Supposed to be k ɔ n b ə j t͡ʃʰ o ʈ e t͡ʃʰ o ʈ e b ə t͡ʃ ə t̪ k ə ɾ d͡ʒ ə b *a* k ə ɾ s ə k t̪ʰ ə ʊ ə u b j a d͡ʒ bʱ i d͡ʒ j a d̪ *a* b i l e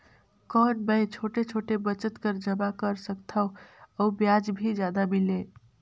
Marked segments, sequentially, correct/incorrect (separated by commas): correct, correct